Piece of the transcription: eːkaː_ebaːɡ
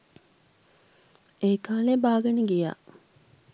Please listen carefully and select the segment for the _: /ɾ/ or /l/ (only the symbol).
l